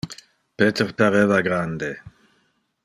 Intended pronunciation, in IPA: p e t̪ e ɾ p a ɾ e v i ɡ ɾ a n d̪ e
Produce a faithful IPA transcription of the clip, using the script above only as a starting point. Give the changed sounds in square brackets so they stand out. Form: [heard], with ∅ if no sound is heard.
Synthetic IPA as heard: p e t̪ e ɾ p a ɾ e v [a] ɡ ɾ a n d̪ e

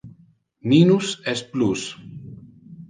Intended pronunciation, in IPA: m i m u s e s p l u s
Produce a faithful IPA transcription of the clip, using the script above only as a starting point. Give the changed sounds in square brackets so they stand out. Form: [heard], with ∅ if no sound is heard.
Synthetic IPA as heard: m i [n] u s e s p l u s

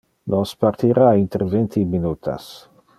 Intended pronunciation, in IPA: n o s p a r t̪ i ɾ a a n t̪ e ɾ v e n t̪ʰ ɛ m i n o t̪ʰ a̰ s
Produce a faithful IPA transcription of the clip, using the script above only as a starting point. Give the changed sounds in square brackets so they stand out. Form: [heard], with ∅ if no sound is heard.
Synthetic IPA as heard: n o s p a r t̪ i ɾ a [i] n t̪ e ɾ v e n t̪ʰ [i] m i n [u] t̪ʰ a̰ s

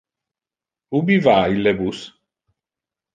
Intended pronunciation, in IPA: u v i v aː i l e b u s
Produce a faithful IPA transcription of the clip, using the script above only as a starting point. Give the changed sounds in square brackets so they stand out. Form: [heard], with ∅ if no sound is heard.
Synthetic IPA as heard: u [b] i v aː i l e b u s

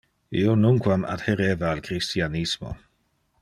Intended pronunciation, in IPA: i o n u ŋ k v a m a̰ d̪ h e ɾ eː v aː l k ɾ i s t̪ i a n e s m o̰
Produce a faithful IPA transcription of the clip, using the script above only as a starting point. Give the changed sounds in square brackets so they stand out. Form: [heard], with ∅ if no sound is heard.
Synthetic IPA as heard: i o n u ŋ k [w] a m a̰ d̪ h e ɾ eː v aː l k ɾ i s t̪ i a n [i] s m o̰

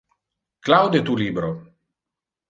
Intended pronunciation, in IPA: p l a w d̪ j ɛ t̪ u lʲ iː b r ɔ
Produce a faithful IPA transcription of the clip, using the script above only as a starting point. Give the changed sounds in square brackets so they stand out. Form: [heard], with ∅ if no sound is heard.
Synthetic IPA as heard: [k] l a w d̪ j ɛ t̪ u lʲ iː b [ɾ] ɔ

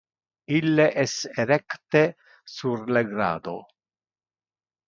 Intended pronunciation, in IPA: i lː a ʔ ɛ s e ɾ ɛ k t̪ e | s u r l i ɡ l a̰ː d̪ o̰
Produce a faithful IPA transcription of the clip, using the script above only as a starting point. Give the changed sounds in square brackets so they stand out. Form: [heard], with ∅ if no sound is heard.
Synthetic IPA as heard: i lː [e] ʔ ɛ s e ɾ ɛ k t̪ e | s u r l [e] ɡ [ɾ] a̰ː d̪ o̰

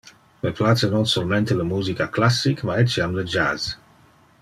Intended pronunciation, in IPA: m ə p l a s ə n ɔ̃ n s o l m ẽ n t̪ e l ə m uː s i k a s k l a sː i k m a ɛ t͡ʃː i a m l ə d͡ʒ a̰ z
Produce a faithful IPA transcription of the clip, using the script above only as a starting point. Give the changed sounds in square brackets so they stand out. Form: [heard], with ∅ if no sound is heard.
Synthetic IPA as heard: m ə p l a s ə n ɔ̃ n s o l m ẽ n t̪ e l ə m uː [z] i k a [∅] k l a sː i k m a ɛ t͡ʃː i a m l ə d͡ʒ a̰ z

